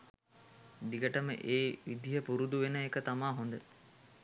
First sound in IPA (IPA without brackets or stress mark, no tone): d̪